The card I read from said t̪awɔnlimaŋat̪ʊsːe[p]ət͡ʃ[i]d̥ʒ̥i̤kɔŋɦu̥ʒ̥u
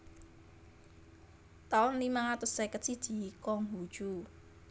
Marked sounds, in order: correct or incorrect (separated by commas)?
incorrect, correct